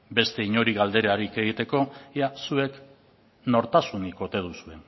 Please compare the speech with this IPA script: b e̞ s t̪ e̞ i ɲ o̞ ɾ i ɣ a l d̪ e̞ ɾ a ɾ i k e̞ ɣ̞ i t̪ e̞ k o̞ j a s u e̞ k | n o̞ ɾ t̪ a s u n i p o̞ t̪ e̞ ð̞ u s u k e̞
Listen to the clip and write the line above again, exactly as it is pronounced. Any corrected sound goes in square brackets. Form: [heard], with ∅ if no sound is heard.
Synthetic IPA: b e̞ s t̪ e̞ i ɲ o̞ ɾ i ɣ a l d̪ e̞ ɾ a ɾ i k e̞ ɣ̞ i t̪ e̞ k o̞ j a s u e̞ k | n o̞ ɾ t̪ a s u n i [k] o̞ t̪ e̞ ð̞ u s u [∅] e̞